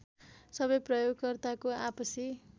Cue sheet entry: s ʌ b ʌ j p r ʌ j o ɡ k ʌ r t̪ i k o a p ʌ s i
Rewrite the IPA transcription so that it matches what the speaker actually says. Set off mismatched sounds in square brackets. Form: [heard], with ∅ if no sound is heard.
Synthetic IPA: s ʌ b ʌ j p r ʌ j o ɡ k ʌ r t̪ [a] k o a p ʌ s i